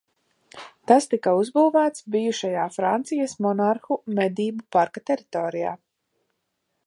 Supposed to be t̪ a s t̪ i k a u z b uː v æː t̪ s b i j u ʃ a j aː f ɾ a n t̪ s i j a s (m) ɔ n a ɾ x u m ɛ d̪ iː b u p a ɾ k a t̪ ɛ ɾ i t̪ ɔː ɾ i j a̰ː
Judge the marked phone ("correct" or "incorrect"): correct